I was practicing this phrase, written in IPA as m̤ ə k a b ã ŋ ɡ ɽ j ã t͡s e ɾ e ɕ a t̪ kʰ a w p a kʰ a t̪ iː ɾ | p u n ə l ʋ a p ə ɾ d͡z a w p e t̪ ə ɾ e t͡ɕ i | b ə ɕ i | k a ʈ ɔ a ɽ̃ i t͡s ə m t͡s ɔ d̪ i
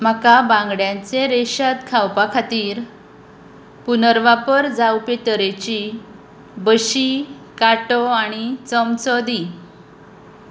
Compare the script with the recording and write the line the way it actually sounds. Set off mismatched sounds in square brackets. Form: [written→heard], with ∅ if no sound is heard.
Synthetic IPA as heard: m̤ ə k a b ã ŋ ɡ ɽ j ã t͡s e ɾ e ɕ a t̪ kʰ a w p a kʰ a t̪ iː ɾ | p u n ə [l→ɾ] ʋ a p ə ɾ d͡z a w p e t̪ ə ɾ e t͡ɕ i | b ə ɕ i | k a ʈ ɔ a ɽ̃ i t͡s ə m t͡s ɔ d̪ i